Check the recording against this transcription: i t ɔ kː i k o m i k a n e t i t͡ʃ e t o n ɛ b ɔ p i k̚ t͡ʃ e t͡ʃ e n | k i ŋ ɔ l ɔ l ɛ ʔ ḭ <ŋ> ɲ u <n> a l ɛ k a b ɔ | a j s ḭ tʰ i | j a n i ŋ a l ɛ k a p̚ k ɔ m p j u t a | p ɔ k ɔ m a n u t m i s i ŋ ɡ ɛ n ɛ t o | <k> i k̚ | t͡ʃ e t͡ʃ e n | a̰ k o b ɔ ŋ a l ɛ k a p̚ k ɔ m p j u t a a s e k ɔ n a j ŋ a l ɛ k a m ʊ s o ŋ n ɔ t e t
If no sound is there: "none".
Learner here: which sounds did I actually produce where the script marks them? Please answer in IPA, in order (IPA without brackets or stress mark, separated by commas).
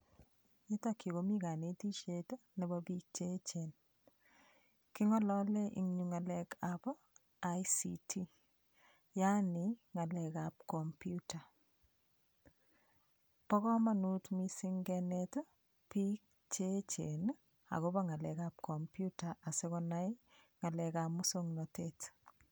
ŋ, ŋ, p